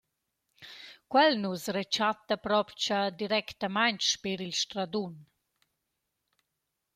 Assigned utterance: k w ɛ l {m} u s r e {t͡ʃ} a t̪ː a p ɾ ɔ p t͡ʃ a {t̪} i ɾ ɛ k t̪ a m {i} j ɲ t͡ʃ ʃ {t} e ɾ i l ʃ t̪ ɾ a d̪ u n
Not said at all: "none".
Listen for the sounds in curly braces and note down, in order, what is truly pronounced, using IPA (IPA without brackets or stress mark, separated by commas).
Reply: n, t͡ʃ, d̪, a, p